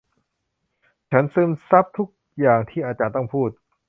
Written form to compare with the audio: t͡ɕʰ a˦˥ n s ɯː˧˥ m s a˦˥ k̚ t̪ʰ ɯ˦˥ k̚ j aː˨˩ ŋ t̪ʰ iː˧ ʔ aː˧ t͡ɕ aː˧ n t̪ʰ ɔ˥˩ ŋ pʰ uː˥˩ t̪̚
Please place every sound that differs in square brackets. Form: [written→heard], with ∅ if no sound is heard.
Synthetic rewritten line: t͡ɕʰ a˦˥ n s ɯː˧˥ m s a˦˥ [k̚→p̚] t̪ʰ [ɯ˦˥→u˦˥] k̚ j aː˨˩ ŋ t̪ʰ [iː˧→iː˥˩] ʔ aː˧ t͡ɕ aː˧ n [t̪ʰ→t̪] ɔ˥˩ ŋ pʰ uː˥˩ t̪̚